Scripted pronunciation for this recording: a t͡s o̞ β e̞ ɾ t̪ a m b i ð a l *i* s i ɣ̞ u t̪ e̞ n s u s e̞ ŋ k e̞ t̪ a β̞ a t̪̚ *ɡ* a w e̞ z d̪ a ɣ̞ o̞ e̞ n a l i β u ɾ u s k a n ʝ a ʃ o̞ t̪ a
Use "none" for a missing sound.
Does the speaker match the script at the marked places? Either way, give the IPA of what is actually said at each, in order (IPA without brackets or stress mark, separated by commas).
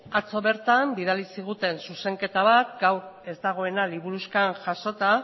i, ɡ